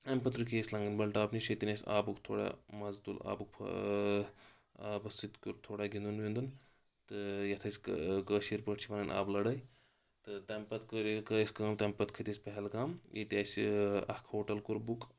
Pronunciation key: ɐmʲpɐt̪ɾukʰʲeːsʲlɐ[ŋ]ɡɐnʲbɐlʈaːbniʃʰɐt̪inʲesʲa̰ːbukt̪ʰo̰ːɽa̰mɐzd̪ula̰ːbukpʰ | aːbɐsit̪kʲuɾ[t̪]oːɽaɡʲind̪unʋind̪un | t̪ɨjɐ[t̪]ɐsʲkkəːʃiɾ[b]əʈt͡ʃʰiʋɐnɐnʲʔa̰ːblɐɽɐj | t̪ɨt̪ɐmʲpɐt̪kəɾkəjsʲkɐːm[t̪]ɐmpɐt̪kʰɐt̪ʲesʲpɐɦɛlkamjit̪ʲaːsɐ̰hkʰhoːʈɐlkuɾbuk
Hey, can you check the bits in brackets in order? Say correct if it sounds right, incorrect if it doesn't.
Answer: correct, incorrect: t̪ʰ, incorrect: t̪ʰ, incorrect: p, correct

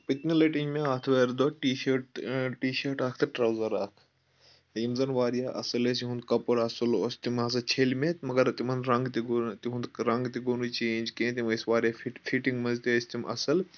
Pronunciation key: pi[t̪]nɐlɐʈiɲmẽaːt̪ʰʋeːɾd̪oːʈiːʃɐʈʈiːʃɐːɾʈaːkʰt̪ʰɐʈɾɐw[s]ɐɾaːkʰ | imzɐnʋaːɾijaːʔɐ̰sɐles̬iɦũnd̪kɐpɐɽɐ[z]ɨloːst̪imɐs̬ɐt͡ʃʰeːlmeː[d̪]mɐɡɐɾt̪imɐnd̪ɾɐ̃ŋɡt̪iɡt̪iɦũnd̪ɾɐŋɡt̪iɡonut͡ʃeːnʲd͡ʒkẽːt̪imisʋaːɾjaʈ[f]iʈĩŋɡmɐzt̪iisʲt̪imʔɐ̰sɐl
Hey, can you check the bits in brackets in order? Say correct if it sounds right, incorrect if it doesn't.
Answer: correct, incorrect: z, incorrect: s, incorrect: t̪, correct

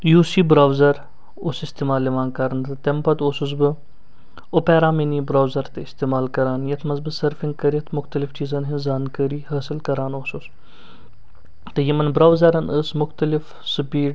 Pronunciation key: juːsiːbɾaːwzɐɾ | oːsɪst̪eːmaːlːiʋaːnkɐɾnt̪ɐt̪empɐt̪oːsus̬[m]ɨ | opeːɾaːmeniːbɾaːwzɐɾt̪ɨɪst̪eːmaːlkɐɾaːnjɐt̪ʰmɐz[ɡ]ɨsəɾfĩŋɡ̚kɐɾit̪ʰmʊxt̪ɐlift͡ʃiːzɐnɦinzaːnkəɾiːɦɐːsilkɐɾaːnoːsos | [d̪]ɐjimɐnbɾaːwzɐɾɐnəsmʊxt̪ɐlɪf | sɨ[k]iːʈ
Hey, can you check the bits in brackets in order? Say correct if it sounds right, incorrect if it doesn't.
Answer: incorrect: b, incorrect: b, incorrect: t̪, incorrect: p

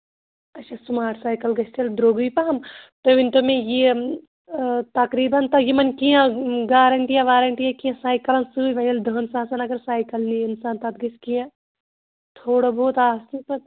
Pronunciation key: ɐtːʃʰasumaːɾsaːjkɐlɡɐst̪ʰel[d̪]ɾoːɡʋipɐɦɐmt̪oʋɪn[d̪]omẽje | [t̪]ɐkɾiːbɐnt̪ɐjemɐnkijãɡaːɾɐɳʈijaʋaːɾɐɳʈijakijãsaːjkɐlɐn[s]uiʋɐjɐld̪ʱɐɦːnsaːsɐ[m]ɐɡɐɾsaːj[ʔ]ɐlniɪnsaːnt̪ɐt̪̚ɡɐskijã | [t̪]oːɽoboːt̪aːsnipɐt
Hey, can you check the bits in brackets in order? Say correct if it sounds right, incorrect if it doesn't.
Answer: correct, incorrect: t̪, correct, correct, incorrect: n, incorrect: k, incorrect: t̪ʰ

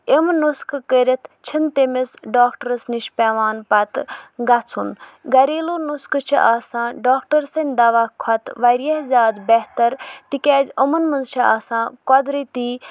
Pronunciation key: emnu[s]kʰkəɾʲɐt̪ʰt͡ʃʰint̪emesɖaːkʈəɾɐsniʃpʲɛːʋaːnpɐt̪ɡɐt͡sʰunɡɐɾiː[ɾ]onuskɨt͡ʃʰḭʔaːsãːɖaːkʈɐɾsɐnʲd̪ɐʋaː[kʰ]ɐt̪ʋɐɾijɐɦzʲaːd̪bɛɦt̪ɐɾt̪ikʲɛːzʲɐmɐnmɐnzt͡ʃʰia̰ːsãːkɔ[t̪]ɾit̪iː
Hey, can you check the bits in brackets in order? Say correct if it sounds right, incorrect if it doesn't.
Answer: correct, incorrect: l, correct, incorrect: d̪

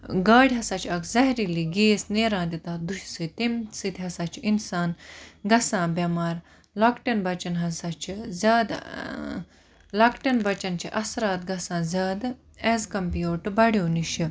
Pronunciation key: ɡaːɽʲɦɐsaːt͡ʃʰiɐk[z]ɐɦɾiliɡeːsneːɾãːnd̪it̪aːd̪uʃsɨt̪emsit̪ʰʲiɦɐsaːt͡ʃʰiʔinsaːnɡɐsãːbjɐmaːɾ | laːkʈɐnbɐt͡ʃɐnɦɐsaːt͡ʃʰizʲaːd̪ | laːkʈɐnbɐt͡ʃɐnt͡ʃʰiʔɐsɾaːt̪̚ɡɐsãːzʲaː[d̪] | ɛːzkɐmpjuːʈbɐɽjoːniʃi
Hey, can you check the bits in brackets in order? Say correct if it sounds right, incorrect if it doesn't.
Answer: correct, correct

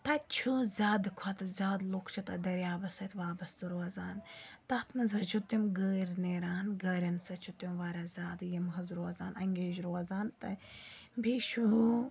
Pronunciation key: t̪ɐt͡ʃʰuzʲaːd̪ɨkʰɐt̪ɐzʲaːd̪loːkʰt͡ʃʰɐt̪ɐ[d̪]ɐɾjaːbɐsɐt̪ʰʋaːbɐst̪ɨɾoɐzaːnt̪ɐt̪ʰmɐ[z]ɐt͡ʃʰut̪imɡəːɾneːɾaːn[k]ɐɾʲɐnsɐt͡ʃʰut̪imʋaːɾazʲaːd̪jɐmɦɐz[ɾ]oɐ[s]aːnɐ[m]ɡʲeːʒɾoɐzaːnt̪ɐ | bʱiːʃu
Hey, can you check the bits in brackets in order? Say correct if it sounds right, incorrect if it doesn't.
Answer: correct, correct, incorrect: ɡ, correct, incorrect: z, incorrect: ŋ

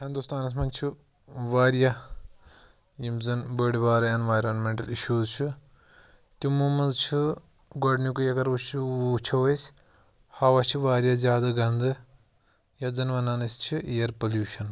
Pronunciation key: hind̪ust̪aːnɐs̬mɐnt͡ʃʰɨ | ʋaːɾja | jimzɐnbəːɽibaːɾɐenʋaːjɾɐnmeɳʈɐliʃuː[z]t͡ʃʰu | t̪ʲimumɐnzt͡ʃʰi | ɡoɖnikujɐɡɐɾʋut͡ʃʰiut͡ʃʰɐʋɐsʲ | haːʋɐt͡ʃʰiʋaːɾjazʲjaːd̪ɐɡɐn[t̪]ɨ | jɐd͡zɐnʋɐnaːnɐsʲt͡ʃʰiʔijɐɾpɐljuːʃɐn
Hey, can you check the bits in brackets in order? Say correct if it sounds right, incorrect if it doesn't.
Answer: correct, incorrect: d̪

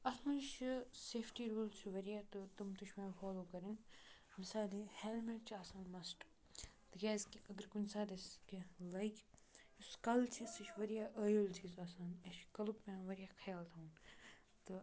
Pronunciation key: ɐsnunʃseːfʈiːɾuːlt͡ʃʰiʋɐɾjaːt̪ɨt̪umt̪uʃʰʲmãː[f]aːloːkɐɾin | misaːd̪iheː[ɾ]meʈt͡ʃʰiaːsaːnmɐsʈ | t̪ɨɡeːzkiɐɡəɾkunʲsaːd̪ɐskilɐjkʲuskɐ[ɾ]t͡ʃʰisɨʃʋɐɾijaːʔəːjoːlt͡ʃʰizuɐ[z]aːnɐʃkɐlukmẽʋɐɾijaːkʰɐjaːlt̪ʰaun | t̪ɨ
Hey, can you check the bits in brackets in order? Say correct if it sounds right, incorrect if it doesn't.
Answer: correct, incorrect: l, incorrect: l, incorrect: s

